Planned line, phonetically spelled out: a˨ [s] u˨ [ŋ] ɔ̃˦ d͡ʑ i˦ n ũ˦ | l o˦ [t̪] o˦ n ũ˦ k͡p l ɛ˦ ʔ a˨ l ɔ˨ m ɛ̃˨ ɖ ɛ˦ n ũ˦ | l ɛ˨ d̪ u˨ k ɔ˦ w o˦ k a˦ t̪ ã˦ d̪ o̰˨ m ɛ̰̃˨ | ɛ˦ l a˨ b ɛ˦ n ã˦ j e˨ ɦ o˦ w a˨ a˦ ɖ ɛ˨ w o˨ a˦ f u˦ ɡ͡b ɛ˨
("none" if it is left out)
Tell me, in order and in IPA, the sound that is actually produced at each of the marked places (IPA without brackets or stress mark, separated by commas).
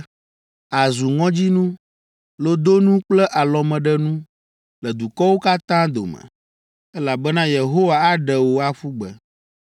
z, ŋ, d̪